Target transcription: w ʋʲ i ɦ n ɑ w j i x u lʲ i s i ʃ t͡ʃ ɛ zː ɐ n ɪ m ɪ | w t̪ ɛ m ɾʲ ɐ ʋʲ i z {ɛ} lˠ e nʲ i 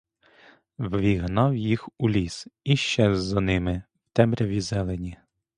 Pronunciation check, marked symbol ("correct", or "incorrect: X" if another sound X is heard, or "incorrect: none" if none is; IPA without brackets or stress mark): correct